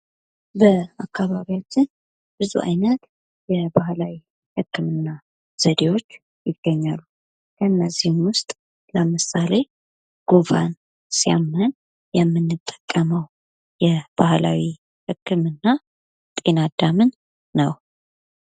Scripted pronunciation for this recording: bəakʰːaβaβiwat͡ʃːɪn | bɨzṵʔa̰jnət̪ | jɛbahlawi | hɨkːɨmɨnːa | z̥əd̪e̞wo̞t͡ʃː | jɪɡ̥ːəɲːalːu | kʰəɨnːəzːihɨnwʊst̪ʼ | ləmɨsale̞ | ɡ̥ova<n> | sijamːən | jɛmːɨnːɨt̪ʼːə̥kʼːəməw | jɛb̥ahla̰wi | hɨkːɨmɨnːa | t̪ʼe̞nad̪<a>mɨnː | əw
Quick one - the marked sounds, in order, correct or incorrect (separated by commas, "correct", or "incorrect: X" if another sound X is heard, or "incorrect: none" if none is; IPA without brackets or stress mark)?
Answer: correct, correct